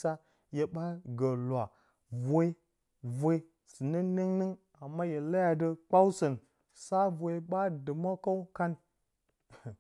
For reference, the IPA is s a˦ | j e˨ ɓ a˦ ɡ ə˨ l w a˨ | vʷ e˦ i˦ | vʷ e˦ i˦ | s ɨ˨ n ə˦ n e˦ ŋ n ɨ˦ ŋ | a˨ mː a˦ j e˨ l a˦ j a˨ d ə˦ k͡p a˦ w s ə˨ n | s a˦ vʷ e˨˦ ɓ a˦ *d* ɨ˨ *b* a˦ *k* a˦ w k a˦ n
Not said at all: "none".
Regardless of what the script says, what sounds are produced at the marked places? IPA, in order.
d, m, k

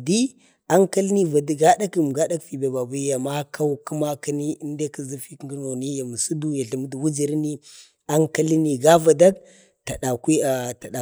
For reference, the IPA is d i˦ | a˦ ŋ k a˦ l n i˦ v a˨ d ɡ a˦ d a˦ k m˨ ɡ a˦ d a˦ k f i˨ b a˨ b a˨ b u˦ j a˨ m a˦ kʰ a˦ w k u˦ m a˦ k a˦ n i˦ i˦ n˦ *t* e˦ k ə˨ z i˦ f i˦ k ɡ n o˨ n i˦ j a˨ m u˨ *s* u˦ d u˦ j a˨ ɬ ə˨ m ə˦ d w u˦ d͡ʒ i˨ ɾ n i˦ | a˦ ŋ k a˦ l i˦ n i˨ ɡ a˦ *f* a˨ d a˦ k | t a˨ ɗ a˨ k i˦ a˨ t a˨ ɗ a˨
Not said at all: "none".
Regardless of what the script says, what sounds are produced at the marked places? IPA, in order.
d, s, v

